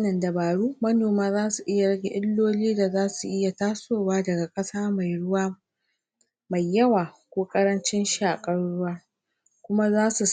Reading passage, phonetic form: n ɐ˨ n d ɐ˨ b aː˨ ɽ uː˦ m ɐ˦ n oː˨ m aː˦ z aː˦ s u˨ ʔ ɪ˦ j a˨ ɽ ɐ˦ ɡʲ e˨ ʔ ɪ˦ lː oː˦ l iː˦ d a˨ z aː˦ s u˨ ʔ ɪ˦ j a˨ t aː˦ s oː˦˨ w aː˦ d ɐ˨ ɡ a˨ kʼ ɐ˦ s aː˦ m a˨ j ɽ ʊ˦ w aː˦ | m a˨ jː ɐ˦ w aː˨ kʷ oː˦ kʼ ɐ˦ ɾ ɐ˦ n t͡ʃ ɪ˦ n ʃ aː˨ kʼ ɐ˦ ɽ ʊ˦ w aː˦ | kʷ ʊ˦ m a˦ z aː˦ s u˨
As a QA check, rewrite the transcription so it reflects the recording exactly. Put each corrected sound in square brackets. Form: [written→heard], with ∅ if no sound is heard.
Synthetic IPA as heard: n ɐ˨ n d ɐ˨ b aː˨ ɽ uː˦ m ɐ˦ n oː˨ m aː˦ z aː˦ s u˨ ʔ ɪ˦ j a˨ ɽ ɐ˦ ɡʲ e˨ ʔ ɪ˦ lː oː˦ l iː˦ d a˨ z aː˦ s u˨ ʔ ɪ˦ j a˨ t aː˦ s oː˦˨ w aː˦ d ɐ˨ ɡ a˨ kʼ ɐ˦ s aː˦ m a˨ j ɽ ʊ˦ w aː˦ | m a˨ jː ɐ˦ w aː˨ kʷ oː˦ kʼ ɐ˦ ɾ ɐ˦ n t͡ʃ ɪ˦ n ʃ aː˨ kʼ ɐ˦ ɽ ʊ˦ w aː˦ | kʷ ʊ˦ m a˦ z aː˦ s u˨